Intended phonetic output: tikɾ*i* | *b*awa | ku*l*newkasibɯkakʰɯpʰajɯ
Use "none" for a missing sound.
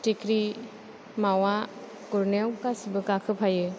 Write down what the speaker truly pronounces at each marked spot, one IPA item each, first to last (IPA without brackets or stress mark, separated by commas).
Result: i, m, ɾ